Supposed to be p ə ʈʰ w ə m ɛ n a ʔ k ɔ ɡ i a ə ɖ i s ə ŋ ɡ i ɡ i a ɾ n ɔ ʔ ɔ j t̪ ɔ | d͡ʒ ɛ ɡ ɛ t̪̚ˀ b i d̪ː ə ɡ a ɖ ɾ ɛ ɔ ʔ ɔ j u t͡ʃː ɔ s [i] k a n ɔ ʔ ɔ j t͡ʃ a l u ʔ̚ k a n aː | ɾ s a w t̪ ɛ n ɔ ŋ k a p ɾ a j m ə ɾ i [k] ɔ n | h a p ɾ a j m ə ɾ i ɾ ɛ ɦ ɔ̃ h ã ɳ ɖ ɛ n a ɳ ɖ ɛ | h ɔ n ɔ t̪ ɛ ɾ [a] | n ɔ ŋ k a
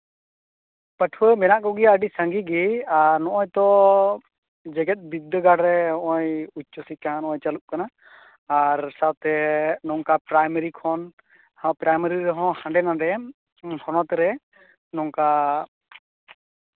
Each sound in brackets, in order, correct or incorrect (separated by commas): correct, incorrect, incorrect